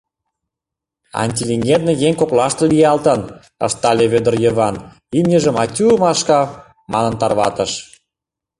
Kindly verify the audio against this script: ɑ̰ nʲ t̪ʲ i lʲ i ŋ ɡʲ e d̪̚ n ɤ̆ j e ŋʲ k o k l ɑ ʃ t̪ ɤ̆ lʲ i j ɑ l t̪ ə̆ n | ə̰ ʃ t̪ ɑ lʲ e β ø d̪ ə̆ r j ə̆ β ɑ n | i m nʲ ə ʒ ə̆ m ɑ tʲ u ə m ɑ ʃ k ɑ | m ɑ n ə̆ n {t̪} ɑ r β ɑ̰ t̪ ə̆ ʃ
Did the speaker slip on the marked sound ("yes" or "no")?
no